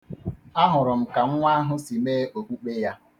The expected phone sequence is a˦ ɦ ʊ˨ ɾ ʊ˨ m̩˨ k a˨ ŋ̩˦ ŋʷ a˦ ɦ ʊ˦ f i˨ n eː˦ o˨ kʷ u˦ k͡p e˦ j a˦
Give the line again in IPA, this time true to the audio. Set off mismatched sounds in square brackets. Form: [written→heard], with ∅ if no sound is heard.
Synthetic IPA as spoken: a˦ ɦ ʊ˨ ɾ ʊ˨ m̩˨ k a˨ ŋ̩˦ ŋʷ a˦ ɦ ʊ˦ [f→s] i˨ [n→m] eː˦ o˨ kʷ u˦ k͡p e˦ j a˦